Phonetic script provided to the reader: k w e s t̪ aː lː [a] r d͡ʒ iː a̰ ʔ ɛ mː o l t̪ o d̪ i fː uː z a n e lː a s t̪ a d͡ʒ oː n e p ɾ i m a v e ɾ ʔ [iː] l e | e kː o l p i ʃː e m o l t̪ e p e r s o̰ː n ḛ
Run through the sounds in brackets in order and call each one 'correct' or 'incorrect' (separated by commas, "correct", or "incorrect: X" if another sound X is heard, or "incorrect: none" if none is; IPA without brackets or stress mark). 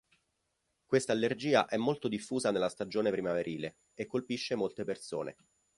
incorrect: e, correct